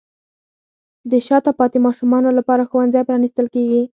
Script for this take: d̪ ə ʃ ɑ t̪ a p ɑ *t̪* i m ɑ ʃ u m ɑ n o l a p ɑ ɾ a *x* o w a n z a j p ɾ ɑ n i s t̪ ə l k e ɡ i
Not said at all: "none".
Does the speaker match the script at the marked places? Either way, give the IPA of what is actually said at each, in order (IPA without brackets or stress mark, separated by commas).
t̪, x